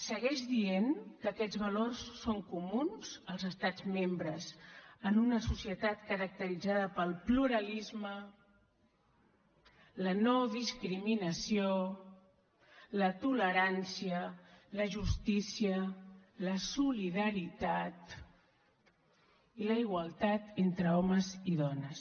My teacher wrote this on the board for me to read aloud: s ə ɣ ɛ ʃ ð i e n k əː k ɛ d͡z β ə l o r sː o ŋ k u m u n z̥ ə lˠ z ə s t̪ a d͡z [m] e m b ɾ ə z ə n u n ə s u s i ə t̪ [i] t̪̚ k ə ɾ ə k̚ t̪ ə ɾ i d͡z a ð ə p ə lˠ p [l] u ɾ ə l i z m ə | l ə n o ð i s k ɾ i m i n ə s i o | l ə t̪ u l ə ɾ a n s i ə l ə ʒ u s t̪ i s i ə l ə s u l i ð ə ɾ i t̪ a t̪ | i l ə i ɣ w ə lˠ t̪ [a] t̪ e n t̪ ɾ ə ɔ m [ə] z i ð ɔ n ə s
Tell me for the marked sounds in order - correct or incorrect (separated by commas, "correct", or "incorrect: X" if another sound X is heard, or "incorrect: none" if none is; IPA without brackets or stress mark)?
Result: correct, incorrect: a, correct, correct, correct